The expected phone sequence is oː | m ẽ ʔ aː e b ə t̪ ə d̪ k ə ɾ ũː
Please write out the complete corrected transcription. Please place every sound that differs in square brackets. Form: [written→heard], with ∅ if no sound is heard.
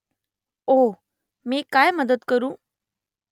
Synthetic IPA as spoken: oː | m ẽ [ʔ→k] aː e [b→m] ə [t̪→d̪] ə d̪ k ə ɾ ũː